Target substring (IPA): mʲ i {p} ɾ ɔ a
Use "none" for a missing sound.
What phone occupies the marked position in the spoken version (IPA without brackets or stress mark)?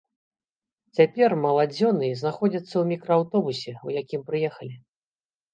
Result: k